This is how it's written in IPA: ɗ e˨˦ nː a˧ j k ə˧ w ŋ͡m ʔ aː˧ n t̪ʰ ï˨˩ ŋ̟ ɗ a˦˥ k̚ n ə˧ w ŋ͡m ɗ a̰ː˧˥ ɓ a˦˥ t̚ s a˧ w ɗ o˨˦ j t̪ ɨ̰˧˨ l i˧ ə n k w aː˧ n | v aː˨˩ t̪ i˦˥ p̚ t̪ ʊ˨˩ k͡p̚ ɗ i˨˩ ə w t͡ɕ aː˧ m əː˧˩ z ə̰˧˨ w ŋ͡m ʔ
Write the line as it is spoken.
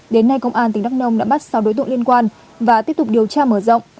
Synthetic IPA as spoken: ɗ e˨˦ nː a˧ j k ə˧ w ŋ͡m ʔ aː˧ n t̪ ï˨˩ ŋ̟ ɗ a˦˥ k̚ n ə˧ w ŋ͡m ɗ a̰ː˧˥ ɓ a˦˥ t̚ s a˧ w ɗ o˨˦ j t̪ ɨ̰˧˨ l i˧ ə n k w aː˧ n | v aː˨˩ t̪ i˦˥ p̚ t̪ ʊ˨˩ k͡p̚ ɗ i˨˩ ə w t͡ɕ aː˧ m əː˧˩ z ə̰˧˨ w ŋ͡m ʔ